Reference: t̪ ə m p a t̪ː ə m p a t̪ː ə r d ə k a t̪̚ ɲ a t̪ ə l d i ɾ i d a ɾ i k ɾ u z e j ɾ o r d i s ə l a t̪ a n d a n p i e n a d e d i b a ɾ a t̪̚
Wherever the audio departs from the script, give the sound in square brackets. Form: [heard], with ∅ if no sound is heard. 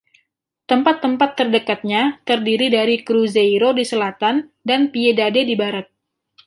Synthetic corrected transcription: t̪ ə m p a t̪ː ə m p a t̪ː ə r d ə k a t̪̚ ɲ a t̪ ə [r] d i ɾ i d a ɾ i k ɾ u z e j ɾ o [∅] d i s ə l a t̪ a n d a n p i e [d] a d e d i b a ɾ a t̪̚